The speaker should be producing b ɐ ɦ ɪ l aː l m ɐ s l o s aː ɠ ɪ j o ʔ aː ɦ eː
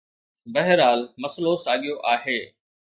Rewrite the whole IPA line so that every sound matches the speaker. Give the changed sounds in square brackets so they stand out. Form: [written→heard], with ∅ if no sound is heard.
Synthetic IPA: b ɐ ɦ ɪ [l→ɾ] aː l m ɐ s l o s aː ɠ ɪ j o ʔ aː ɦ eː